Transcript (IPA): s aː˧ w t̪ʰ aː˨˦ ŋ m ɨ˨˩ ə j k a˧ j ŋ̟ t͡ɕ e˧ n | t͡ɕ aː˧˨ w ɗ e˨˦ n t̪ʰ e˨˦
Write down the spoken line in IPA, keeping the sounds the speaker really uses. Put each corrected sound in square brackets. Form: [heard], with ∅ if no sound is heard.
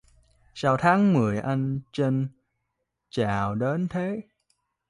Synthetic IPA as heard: s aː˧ w t̪ʰ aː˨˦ ŋ m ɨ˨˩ ə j [ʔ] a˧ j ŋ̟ t͡ɕ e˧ n | t͡ɕ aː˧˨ w ɗ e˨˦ n t̪ʰ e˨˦